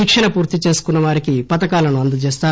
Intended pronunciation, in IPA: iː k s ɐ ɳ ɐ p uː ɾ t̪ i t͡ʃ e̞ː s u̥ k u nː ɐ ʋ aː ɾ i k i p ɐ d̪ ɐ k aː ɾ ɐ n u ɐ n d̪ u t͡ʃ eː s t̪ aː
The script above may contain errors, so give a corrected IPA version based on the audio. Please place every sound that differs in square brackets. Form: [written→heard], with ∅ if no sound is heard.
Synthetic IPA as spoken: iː k [s→ʂ] ɐ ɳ ɐ p uː ɾ t̪ i t͡ʃ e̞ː s u̥ k u nː ɐ ʋ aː ɾ i k i p ɐ [d̪→t̪] ɐ k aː [ɾ→l] ɐ n u ɐ n d̪ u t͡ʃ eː s t̪ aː